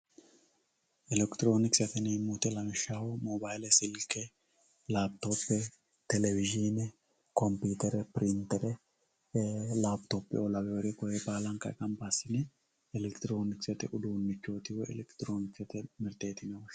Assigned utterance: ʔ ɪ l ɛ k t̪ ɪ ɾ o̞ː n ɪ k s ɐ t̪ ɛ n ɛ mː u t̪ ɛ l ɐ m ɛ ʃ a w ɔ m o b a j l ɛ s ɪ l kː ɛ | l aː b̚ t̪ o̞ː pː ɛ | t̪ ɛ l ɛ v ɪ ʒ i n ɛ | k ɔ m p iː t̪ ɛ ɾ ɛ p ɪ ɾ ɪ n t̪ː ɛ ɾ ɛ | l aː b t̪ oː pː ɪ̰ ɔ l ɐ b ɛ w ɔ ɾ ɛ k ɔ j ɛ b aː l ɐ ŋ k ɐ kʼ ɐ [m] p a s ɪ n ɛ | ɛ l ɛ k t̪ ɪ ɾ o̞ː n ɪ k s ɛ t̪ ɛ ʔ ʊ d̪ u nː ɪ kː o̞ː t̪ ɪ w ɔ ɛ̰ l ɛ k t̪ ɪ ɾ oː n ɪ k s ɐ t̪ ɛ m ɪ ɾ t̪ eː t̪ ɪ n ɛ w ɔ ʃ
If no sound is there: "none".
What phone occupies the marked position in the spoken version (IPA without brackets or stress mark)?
m